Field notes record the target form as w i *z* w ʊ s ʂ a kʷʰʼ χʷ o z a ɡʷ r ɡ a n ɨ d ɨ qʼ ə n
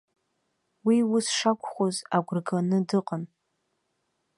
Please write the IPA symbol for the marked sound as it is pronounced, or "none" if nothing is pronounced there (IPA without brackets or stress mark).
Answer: none